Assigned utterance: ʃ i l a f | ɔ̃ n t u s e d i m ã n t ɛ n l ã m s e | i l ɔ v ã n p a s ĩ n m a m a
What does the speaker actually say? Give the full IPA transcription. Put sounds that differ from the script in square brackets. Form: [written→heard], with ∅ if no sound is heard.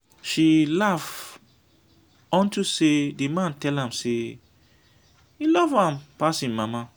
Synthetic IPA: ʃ i l a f | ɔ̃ n t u s e d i m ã n t ɛ [n→∅] l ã m s e | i l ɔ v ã [n→m] p a s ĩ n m a m a

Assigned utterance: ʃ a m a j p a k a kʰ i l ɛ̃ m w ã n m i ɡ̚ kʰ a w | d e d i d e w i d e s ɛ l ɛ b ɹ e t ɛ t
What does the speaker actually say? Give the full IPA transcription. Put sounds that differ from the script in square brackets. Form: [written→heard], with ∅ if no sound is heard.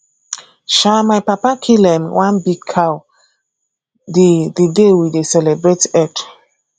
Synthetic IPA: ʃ a m a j p a [k→p] a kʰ i l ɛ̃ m w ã n [m→b] i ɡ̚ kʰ a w | d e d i d e w i d e s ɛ l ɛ b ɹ e t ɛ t

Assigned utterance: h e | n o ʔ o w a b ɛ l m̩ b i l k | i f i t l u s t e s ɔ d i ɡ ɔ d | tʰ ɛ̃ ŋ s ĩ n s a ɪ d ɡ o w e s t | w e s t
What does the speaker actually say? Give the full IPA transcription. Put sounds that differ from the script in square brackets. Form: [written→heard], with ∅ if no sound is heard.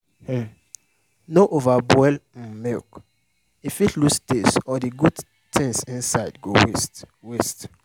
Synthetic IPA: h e | n o ʔ o [w→v] a b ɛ l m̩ [b→m] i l k | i f i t l u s t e s ɔ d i ɡ [ɔ→u] d | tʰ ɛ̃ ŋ s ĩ n s a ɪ d ɡ o w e s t | w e s t

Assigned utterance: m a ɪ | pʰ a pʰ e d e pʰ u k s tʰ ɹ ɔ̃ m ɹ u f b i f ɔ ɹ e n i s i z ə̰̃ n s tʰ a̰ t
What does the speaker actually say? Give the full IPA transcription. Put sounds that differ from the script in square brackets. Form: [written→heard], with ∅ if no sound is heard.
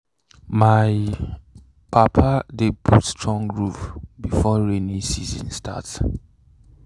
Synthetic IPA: m a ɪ | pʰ a pʰ [e→a] d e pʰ u [k→t] s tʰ ɹ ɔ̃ [m→ŋ] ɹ u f b i f ɔ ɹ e n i s i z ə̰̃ n s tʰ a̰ t

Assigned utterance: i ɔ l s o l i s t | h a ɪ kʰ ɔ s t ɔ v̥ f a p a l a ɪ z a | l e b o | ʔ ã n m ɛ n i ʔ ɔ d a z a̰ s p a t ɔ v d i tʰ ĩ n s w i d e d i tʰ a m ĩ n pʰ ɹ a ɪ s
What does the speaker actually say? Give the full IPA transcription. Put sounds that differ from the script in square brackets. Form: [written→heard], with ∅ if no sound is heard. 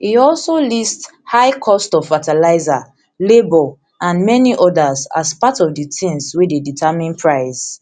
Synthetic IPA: i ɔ l s o l i s t | h a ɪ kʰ ɔ s t ɔ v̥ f a [p→t] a l a ɪ z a | l e b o | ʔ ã n m ɛ n i ʔ ɔ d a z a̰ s p a t ɔ v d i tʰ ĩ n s w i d e d i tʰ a m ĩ n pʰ ɹ a ɪ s

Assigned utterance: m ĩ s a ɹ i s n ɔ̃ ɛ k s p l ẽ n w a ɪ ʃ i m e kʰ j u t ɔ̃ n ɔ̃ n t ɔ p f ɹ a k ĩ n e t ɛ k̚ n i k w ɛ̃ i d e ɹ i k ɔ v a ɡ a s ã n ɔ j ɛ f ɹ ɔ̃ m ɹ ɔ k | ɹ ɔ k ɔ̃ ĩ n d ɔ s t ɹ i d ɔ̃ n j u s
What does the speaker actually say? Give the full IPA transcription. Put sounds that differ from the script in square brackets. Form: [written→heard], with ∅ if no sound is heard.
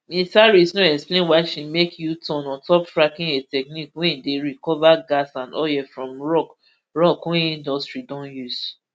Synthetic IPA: m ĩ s a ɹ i s n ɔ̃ ɛ k s p l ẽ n w a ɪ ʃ i m e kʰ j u t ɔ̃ n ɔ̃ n t ɔ p f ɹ a k ĩ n e t ɛ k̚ n i k w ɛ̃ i d e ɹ i k ɔ v a ɡ a s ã n ɔ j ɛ f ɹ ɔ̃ m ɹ ɔ k | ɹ ɔ k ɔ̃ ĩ n d ɔ s t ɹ i d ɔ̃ n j u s

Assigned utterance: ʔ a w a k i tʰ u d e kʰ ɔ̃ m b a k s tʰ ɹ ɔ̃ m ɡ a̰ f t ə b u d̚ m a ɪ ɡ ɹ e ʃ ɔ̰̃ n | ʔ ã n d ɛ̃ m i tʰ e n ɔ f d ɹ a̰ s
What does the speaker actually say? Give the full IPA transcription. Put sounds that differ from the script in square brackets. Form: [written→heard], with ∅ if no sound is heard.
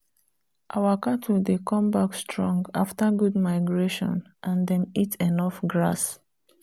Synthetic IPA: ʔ a w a k [i→a] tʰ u d e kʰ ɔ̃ m b a k s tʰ ɹ ɔ̃ [m→ŋ] ɡ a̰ f t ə [b→ɡ] u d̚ m a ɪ ɡ ɹ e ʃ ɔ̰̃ n | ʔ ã n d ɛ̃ m i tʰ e n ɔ f [d→ɡ] ɹ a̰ s

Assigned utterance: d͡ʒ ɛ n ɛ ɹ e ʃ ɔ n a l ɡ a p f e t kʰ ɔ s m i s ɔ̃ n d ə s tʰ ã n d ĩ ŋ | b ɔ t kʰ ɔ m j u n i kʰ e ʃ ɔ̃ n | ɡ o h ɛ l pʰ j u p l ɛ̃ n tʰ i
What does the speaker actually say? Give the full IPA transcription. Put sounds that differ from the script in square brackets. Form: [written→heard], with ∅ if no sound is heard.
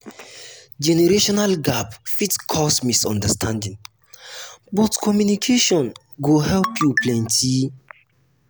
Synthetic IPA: d͡ʒ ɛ n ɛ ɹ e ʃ ɔ n a l ɡ a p f [e→i] t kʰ ɔ s m i s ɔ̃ n d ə s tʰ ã n d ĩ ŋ | b ɔ t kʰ ɔ m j u n i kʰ e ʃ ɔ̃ n | ɡ o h ɛ l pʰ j u p l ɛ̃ n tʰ i

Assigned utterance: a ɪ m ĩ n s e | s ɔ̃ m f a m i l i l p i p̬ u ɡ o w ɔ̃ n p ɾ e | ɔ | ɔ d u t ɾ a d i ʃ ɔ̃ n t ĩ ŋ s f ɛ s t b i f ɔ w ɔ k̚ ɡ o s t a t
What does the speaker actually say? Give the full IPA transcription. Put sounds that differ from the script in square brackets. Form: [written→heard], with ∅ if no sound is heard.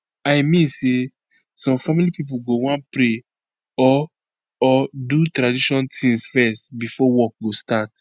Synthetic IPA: a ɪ m ĩ n s e | s ɔ̃ m f a m i l i [l→∅] p i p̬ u ɡ o w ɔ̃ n p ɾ e | ɔ | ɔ d u t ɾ a d i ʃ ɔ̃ n t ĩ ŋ s f ɛ s t b i f ɔ w ɔ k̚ ɡ o s t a t

